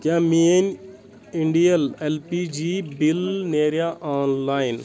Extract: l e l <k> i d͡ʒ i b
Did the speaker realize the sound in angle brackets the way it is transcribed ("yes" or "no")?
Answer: no